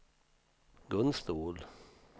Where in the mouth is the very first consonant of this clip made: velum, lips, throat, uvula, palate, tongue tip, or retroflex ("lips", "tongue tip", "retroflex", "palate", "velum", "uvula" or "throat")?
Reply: velum